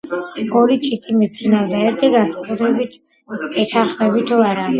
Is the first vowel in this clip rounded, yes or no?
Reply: yes